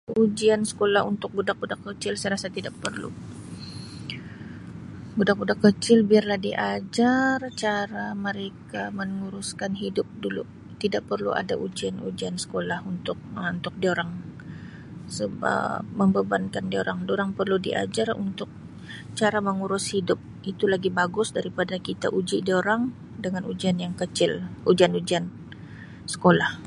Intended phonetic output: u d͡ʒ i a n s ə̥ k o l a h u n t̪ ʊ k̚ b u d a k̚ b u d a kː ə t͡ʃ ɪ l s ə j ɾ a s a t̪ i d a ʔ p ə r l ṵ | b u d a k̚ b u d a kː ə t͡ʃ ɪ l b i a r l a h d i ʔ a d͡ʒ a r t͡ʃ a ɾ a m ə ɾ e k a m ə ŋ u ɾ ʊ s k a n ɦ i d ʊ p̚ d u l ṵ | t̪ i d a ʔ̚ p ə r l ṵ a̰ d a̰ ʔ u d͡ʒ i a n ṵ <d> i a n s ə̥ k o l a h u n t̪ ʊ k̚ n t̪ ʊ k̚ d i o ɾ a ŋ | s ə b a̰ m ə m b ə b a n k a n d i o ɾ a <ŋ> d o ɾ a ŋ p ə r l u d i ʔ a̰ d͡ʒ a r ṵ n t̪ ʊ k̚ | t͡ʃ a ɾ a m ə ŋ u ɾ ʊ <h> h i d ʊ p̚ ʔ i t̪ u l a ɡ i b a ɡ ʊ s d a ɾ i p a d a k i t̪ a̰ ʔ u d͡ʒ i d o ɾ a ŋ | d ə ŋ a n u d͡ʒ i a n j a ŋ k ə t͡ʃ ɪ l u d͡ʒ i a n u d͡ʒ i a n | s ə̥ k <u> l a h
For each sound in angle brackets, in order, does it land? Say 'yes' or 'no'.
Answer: no, yes, no, no

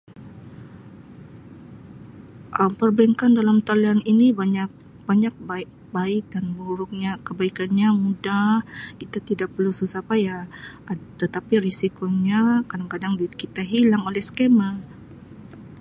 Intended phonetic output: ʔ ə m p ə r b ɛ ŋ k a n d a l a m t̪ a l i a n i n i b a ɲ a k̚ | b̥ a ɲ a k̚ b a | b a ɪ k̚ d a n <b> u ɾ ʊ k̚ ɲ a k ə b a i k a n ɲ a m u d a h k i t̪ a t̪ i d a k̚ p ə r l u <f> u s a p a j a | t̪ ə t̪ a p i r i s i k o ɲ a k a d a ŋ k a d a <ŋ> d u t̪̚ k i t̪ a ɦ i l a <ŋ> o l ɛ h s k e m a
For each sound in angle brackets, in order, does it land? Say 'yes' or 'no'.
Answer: yes, no, yes, yes

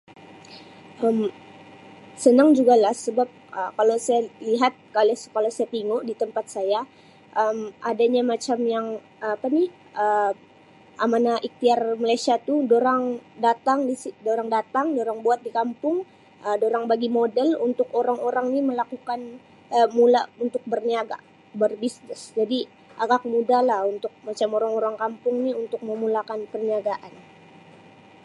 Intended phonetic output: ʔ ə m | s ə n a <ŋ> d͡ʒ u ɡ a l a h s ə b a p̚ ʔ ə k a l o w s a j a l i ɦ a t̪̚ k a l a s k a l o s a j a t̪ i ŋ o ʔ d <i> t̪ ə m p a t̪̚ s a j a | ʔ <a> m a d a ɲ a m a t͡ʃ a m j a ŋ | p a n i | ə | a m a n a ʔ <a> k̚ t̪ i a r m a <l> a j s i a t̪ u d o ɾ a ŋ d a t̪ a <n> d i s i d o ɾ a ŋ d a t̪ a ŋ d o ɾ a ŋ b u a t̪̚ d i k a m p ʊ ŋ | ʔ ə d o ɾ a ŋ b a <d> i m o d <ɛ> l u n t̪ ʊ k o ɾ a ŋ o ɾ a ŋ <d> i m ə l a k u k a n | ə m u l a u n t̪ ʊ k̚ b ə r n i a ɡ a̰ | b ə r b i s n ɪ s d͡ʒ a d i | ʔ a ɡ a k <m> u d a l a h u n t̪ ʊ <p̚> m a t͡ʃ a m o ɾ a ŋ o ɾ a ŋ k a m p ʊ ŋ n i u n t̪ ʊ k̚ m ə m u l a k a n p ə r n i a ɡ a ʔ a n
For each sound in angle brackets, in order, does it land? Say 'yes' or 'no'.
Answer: yes, yes, no, no, yes, no, no, yes, no, yes, no

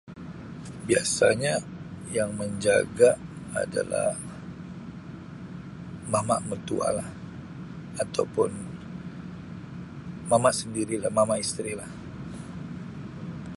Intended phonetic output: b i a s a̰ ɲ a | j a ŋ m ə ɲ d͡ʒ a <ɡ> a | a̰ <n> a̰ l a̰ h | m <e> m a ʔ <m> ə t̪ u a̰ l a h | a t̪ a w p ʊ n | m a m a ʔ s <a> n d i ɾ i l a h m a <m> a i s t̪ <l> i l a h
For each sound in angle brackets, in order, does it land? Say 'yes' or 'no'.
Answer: yes, no, no, yes, no, yes, no

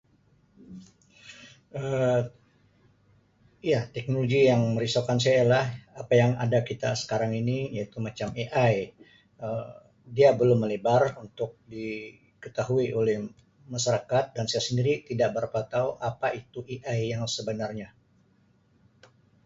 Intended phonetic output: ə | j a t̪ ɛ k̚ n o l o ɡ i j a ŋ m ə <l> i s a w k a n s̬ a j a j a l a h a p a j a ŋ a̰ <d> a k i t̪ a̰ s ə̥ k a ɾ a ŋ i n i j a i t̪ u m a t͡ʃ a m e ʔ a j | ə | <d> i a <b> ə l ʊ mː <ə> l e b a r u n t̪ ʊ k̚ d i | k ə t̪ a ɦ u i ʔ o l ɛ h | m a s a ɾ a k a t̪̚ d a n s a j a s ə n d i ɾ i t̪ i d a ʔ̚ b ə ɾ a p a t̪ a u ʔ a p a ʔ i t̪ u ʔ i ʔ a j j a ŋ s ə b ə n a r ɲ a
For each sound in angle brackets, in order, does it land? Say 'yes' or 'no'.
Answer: no, yes, yes, yes, yes

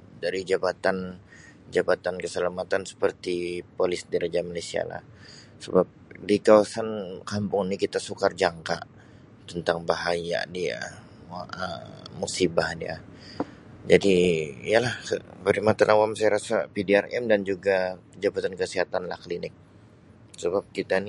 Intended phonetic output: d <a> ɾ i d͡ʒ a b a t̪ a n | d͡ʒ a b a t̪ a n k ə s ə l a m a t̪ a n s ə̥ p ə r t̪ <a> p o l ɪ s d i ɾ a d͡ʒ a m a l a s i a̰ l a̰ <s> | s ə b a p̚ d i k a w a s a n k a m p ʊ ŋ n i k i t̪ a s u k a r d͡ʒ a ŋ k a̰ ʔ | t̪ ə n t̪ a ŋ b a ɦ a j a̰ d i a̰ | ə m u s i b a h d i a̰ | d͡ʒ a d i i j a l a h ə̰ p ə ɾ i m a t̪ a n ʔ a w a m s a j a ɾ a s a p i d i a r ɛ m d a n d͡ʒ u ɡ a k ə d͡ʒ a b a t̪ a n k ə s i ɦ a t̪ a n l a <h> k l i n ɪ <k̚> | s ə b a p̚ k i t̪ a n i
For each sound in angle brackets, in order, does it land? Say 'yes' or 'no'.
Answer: yes, no, no, yes, yes

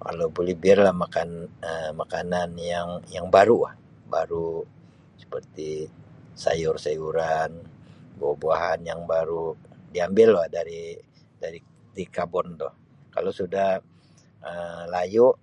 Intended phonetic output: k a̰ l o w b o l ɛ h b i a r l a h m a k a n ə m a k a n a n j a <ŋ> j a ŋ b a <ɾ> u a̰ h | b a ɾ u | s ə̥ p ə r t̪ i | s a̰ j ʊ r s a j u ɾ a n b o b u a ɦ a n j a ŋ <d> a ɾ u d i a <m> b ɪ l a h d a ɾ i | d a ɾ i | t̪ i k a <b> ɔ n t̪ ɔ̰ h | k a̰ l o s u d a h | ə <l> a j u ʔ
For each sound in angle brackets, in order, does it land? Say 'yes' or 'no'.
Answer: yes, yes, no, yes, yes, yes

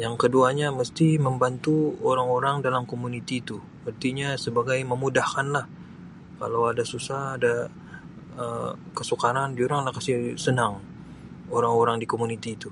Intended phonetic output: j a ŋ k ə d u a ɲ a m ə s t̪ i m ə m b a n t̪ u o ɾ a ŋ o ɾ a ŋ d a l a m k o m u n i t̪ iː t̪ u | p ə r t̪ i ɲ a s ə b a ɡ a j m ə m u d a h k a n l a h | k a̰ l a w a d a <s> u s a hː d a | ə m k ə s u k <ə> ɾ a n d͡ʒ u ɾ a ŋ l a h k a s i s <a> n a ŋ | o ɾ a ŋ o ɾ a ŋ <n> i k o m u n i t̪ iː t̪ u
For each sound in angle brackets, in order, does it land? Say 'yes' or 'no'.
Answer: yes, no, no, no

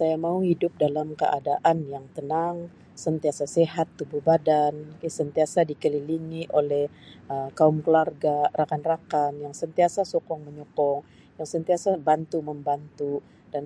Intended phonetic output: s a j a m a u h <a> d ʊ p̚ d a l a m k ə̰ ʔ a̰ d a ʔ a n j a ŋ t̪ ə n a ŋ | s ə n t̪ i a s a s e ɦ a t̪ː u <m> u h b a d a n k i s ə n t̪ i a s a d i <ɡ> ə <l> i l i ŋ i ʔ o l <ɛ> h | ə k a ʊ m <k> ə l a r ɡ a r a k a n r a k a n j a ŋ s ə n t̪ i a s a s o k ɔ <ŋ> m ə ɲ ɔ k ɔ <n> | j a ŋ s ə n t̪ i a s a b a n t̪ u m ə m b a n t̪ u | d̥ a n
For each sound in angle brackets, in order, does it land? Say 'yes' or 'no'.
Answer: no, no, no, yes, yes, yes, yes, no

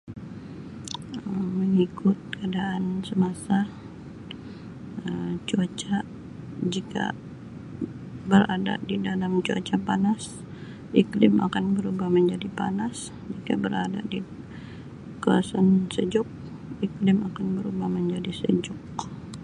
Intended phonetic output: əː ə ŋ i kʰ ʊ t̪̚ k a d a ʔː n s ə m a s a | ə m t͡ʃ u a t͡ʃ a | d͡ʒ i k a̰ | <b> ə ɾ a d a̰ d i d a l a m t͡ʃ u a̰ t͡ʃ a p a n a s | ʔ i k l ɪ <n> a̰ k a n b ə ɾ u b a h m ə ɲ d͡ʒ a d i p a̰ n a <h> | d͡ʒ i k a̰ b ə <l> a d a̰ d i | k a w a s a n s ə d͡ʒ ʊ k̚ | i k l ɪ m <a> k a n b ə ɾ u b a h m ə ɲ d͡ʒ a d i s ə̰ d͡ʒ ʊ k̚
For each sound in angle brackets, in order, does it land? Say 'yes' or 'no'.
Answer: yes, no, no, no, yes

